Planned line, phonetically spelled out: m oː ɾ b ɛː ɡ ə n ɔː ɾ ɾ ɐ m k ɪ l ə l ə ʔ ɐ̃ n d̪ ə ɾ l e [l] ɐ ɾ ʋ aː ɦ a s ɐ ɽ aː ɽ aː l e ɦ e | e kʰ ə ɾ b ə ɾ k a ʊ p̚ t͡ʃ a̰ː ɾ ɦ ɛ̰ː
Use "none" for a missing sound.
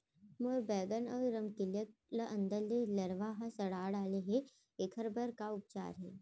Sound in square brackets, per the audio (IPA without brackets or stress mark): l